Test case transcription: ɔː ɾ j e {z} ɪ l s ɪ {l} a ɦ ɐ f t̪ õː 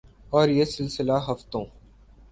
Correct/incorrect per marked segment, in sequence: incorrect, correct

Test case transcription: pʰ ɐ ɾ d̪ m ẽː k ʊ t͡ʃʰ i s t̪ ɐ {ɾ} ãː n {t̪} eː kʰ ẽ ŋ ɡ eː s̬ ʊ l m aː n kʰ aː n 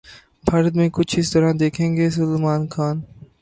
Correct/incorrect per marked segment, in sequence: correct, incorrect

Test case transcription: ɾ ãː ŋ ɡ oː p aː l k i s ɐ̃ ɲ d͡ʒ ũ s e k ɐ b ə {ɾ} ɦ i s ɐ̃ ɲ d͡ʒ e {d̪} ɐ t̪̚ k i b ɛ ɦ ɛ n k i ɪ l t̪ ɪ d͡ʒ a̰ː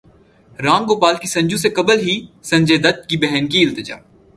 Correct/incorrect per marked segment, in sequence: incorrect, correct

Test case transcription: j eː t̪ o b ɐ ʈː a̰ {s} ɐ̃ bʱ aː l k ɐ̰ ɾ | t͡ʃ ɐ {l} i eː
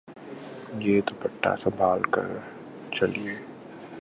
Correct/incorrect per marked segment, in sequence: correct, correct

